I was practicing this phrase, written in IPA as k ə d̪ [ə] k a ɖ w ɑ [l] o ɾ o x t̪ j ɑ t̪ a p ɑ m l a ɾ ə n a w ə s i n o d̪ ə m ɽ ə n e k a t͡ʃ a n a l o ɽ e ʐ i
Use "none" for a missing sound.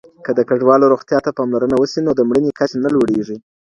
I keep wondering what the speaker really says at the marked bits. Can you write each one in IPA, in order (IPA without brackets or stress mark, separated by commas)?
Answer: ə, l